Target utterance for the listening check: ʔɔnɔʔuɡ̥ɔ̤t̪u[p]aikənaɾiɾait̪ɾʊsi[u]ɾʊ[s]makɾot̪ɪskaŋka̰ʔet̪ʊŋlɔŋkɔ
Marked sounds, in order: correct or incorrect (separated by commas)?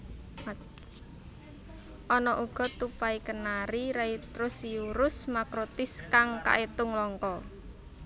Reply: correct, correct, correct